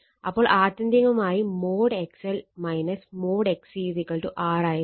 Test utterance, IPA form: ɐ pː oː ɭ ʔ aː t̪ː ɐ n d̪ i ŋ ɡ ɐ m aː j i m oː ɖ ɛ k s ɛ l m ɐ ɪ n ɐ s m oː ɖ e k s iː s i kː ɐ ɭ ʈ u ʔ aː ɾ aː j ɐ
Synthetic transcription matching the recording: ɐ pː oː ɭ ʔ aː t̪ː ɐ n d̪ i ŋ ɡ ɐ m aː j i m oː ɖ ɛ k s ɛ l m ɐ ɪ n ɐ s m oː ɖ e k s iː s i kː ɐ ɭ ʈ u ʔ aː ɾ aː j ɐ